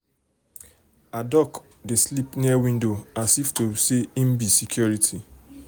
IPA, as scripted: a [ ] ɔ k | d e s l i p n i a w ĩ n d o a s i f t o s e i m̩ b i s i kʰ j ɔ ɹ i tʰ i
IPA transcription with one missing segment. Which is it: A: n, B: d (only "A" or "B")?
B